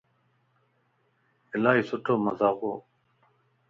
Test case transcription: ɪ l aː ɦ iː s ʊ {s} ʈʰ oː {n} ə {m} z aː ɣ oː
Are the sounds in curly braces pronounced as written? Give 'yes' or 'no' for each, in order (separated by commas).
no, no, no